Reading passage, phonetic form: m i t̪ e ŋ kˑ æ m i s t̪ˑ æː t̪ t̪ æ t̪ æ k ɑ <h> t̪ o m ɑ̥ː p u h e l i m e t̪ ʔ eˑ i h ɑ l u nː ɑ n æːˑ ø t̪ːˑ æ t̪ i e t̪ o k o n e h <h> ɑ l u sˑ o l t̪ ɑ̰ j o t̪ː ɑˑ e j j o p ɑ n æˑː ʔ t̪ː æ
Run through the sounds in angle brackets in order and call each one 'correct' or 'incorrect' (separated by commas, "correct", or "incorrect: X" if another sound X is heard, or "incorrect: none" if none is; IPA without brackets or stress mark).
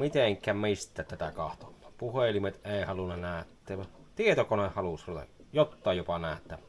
correct, correct